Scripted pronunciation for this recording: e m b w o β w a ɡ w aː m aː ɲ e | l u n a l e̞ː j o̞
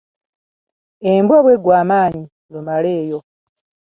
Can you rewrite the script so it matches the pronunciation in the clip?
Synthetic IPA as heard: e m b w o β w e ɡ w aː m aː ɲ i | l u m a l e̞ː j o̞